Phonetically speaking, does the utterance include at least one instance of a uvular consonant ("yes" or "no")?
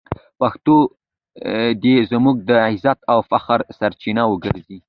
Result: no